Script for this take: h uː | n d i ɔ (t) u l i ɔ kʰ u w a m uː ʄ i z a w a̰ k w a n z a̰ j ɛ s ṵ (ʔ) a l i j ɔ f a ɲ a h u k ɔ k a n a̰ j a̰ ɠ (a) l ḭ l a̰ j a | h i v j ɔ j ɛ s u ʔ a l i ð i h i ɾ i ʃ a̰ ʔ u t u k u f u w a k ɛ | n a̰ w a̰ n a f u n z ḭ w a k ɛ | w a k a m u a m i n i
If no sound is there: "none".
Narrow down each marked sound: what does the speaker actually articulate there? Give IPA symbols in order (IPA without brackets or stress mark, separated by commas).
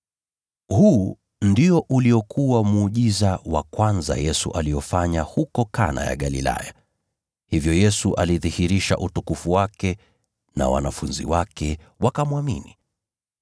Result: ʔ, ʔ, a